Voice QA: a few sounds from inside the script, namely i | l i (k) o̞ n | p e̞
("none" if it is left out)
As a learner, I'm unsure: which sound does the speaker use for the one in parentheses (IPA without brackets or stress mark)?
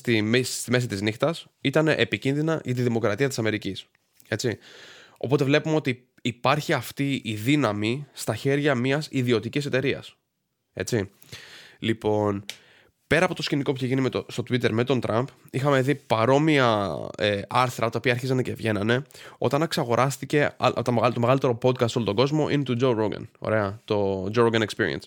p